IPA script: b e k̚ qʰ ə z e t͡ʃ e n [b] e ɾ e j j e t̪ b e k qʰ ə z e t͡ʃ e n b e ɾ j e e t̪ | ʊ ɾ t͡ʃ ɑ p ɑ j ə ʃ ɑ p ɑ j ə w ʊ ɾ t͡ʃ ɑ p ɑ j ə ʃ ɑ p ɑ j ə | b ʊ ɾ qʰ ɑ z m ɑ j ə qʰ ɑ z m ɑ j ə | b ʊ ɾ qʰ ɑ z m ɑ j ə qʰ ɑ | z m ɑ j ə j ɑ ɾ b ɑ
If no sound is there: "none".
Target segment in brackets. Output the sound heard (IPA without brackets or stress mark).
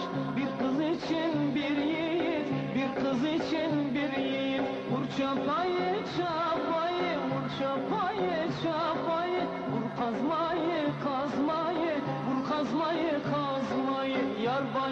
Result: b